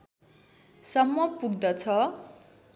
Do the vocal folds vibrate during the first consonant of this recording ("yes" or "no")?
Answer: no